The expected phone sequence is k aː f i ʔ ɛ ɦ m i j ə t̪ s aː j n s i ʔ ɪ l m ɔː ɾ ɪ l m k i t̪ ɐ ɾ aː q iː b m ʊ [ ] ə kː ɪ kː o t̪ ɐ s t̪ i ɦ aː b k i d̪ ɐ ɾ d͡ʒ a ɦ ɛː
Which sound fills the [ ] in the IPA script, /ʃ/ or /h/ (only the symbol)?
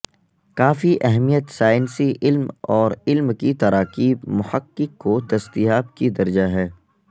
h